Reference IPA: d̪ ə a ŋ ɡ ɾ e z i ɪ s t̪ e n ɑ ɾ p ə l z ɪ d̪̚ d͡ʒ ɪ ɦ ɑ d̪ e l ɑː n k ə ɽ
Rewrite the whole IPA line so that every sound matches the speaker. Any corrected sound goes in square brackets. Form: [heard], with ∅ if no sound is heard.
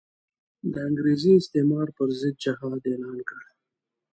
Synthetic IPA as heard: d̪ ə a ŋ ɡ ɾ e z i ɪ s t̪ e [m] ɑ ɾ p ə [ɾ] z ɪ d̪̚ d͡ʒ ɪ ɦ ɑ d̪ e l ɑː n k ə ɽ